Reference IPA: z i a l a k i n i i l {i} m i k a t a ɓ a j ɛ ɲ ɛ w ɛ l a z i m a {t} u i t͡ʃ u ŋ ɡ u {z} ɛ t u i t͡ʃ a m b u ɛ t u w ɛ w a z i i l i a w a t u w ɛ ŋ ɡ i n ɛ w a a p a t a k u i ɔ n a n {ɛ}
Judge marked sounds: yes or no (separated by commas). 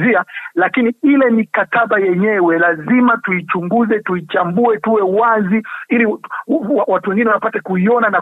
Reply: no, yes, yes, no